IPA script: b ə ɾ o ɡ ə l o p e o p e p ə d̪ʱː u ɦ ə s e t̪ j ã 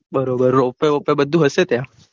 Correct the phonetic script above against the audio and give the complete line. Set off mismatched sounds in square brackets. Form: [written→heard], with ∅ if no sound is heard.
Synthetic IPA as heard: b ə ɾ o [ɡ→b] ə [l→ɾ] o p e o p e [p→b] ə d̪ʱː u ɦ ə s e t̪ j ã